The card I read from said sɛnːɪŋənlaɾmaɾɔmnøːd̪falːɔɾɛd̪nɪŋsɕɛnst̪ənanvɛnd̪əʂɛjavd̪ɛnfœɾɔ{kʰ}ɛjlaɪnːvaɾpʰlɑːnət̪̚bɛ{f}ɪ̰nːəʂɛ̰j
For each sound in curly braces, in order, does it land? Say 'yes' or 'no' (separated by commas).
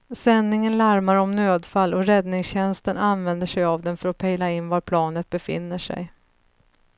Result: no, yes